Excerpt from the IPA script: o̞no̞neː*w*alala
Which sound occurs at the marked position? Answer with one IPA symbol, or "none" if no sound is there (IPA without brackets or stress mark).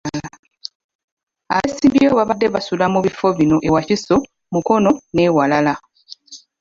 w